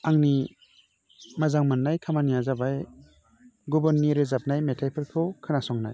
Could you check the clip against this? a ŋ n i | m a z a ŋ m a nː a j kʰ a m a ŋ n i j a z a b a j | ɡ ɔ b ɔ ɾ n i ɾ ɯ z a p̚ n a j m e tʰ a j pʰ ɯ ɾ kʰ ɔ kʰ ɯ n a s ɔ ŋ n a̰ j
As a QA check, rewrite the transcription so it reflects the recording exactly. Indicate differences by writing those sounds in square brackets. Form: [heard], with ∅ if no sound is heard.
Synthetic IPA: a ŋ n i | m a z a ŋ m a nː a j kʰ a m a [∅] n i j a z a b a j | ɡ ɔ b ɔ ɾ n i ɾ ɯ z a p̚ n a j m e tʰ a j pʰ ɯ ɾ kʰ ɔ kʰ ɯ n a s ɔ ŋ n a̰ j